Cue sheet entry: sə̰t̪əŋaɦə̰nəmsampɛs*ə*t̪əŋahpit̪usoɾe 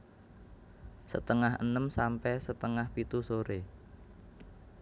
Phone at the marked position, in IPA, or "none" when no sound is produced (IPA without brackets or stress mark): ə